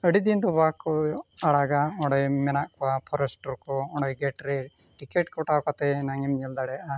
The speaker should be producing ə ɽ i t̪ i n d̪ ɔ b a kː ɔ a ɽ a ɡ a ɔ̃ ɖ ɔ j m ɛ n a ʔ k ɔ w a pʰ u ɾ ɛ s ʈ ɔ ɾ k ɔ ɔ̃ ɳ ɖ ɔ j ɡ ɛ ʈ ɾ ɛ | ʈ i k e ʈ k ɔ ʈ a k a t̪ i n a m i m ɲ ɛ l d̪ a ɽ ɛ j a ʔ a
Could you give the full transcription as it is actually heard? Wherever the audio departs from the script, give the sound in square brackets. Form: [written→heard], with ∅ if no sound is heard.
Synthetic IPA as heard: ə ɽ i [t̪→d̪] i n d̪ ɔ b a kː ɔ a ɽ a ɡ a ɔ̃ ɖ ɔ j m ɛ n a ʔ k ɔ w a pʰ [u→ɔ] ɾ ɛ s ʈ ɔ ɾ k ɔ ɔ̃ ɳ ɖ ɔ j ɡ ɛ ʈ ɾ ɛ | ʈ i k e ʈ k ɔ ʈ a k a t̪ [i→ɛ] n a [m→ŋ] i m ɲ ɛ l d̪ a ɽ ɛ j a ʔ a